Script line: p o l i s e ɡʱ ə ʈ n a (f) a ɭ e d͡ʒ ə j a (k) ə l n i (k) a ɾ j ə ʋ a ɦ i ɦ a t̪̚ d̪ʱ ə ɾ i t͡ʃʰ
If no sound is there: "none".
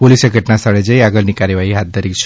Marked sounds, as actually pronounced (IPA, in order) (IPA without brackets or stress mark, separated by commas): s, ɡ, k